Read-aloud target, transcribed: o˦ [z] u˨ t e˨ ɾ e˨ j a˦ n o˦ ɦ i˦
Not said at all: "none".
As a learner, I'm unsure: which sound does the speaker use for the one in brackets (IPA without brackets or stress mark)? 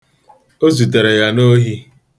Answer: z